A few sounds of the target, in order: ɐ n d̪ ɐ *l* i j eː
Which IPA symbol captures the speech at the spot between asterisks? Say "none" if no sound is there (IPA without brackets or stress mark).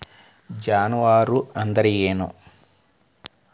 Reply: ɾ